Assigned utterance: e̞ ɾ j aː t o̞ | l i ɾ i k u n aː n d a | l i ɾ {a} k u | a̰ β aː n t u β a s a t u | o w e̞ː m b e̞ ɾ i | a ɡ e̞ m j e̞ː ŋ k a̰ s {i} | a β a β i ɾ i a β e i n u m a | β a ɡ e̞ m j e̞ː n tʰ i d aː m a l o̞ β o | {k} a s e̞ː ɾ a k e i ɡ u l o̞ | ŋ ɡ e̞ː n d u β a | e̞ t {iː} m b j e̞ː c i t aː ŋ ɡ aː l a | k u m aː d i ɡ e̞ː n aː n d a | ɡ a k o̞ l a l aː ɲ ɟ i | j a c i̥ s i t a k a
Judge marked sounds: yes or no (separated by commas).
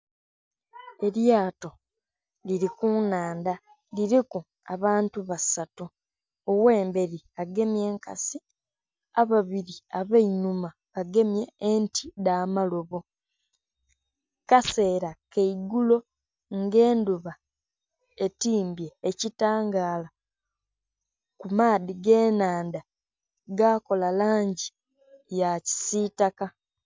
no, yes, yes, yes